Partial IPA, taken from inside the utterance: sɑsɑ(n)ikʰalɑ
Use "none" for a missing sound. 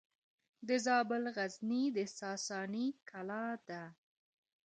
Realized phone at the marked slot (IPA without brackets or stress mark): n